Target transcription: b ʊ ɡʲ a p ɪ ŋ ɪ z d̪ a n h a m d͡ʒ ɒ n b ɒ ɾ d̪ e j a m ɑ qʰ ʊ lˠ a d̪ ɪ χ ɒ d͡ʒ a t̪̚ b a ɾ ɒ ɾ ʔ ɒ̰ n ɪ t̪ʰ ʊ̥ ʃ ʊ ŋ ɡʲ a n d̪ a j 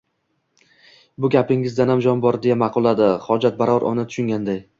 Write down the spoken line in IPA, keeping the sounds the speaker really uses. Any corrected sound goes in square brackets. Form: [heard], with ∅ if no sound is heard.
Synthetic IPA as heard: b ʊ ɡʲ a p ɪ ŋ ɪ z d̪ a n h a m d͡ʒ ɒ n b ɒ ɾ d̪ e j a m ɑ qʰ ʊ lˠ a d̪ ɪ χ ɒ d͡ʒ a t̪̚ b a ɾ ɒ ɾ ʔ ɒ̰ n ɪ t̪ʰ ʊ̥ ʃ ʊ ŋ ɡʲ a n d̪ a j